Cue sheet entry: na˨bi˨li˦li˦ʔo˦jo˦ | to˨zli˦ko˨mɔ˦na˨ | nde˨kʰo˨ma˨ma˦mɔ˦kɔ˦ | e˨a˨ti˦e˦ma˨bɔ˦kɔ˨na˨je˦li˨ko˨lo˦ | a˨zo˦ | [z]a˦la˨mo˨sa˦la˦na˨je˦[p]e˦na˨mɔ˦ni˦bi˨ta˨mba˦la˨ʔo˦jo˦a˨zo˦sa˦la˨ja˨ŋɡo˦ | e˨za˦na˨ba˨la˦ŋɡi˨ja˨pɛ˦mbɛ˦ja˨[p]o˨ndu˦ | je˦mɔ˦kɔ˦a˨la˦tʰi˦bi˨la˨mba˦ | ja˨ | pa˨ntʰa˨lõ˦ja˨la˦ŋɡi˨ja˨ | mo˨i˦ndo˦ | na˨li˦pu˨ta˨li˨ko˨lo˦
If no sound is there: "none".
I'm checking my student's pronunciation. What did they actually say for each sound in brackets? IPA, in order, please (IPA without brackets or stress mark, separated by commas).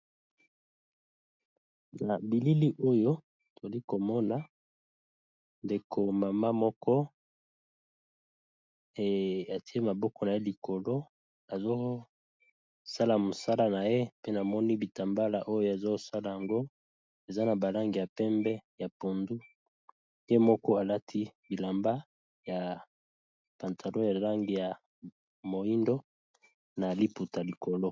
s, p, p